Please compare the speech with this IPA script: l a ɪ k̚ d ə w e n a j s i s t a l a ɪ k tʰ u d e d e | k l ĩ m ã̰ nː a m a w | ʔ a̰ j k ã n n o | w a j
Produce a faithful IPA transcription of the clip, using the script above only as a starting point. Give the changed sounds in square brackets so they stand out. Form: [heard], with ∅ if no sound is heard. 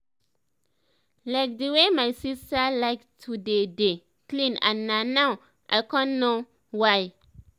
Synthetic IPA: l a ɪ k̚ d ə w e [m] a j s i s t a l a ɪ k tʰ u d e d e | k l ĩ [n] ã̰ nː a [n] a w | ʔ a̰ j k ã n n o | w a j